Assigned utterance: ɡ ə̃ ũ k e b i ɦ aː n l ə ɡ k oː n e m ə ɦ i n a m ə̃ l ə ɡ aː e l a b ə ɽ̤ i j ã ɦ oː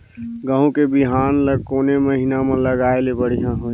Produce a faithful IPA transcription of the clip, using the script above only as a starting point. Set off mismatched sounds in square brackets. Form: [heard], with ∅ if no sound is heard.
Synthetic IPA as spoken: ɡ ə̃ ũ k e b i ɦ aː n l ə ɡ k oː n e m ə ɦ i n a m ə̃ l ə ɡ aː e l [e] b ə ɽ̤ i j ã ɦ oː